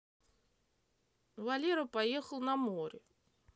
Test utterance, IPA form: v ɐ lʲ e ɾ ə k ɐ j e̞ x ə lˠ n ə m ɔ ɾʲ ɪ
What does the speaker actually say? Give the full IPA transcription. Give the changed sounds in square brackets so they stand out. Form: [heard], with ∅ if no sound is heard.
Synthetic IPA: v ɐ lʲ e ɾ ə [p] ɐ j e̞ x ə lˠ n [ɐ] m [o] ɾʲ ɪ

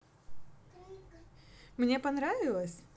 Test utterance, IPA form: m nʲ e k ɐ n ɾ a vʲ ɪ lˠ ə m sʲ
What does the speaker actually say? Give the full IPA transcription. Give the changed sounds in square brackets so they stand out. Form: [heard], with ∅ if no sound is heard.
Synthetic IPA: m nʲ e [p] ɐ n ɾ a vʲ ɪ lˠ ə [∅] sʲ

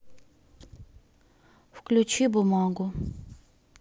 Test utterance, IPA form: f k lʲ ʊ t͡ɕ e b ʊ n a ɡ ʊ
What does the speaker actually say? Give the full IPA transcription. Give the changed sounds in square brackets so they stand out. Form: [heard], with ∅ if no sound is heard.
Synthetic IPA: f k lʲ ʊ t͡ɕ [i] b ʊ [m] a ɡ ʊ

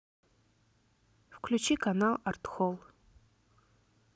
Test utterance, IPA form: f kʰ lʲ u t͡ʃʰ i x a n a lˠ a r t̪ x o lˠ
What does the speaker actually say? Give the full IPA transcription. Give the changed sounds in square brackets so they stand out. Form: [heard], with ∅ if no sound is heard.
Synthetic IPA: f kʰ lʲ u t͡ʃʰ i [k] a n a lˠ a r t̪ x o lˠ

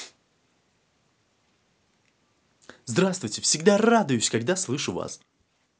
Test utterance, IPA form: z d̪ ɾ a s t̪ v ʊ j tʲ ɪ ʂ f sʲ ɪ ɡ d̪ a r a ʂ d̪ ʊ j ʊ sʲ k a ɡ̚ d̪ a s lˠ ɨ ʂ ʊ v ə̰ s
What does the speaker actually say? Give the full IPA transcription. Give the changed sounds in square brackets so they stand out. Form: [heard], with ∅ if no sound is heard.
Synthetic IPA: z d̪ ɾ a s t̪ v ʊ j tʲ ɪ [∅] f sʲ ɪ ɡ d̪ a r a [∅] d̪ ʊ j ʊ sʲ k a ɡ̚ d̪ a s lˠ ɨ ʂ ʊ v [a̰] s

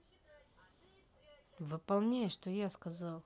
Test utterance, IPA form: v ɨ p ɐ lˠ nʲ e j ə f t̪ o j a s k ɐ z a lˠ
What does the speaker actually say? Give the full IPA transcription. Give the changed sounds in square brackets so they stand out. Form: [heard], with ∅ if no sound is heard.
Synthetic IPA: v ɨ p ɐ lˠ nʲ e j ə [ʂ] t̪ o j a s k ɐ z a lˠ

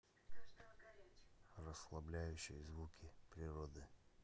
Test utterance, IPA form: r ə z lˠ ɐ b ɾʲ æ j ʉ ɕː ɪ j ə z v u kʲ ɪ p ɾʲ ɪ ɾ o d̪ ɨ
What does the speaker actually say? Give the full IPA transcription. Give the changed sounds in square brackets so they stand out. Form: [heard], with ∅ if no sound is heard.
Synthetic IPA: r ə [s] lˠ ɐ b [lʲ] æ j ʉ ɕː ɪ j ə z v u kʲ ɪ p ɾʲ ɪ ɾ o d̪ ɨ

